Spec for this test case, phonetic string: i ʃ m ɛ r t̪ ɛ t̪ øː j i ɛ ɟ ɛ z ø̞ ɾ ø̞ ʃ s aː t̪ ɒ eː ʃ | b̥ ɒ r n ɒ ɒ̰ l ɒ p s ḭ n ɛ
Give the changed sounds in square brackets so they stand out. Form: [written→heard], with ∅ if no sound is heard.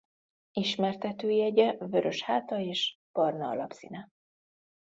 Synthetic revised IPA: i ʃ m ɛ r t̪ ɛ t̪ øː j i ɛ ɟ ɛ [z→v] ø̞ ɾ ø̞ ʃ [s→h] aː t̪ ɒ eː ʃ | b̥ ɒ r n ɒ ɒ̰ l ɒ p s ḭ n ɛ